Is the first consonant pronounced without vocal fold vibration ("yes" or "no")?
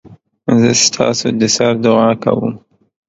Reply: no